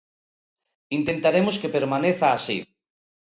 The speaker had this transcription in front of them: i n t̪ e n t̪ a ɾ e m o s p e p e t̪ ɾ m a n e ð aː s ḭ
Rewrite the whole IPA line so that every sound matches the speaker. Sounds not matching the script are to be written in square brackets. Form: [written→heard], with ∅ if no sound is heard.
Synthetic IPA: i n t̪ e n t̪ a ɾ e m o s [p→k] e p e [t̪→∅] ɾ m a n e [ð→θ] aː s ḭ